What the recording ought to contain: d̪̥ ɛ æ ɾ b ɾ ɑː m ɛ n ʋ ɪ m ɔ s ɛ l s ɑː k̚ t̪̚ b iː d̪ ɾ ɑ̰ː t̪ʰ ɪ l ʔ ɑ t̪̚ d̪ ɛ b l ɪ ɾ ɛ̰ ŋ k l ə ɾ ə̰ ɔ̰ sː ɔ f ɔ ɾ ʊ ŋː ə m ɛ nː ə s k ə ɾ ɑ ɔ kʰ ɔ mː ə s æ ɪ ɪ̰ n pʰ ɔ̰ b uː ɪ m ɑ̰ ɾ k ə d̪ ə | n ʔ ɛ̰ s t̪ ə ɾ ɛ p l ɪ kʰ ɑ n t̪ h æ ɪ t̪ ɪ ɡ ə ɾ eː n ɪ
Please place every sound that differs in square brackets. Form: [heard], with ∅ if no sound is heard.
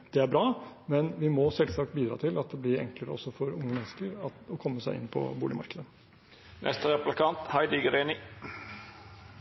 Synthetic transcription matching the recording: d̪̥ ɛ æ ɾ b ɾ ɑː m ɛ n ʋ ɪ m ɔ s ɛ l s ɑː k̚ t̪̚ b iː d̪ ɾ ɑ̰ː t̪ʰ ɪ l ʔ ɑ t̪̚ d̪ ɛ b l ɪ ɾ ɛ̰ ŋ k l ə ɾ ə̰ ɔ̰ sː ɔ f ɔ ɾ ʊ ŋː ə m ɛ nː ə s k ə ɾ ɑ ɔ kʰ ɔ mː ə s æ ɪ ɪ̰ n pʰ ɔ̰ b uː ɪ m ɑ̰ ɾ k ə d̪ ə | n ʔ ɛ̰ s t̪ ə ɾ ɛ p l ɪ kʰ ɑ n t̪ h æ ɪ [d̪] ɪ ɡ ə ɾ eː n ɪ